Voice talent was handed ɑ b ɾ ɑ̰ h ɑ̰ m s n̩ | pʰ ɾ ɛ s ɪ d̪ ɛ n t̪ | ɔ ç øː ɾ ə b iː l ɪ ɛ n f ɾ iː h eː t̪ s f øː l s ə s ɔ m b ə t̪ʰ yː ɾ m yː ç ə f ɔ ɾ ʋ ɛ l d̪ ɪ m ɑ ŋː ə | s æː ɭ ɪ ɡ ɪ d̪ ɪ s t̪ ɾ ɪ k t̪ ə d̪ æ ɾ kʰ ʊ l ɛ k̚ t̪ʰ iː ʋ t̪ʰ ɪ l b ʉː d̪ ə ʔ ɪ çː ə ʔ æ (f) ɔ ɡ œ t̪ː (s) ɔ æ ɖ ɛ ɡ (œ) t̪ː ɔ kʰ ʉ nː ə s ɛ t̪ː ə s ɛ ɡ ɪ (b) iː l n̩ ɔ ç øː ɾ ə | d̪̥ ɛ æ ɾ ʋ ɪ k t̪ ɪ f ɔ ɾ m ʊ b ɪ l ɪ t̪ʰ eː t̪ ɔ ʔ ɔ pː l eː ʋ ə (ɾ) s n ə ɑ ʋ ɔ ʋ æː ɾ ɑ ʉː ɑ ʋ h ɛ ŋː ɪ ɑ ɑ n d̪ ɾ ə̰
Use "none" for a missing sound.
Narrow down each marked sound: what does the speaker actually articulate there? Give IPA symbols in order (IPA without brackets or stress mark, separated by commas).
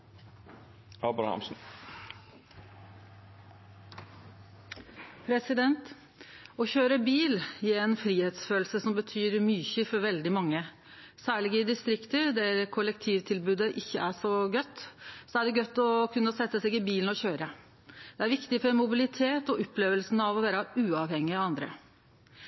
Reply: ʂ, s, œ, b, l